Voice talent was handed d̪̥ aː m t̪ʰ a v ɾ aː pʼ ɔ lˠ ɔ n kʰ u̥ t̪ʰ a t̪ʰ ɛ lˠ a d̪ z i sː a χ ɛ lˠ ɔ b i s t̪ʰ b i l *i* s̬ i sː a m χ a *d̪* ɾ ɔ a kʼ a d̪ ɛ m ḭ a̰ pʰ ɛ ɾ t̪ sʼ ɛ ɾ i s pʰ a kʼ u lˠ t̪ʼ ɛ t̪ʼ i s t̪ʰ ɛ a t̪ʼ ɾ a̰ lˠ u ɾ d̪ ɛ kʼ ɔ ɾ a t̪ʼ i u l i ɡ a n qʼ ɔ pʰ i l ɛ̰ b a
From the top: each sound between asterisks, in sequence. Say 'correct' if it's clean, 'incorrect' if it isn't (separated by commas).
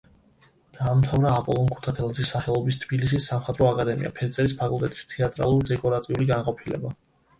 correct, correct